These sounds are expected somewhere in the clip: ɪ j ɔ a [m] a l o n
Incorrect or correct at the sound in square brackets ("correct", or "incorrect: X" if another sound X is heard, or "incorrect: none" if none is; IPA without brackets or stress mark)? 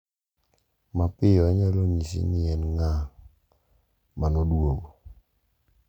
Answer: incorrect: ɲ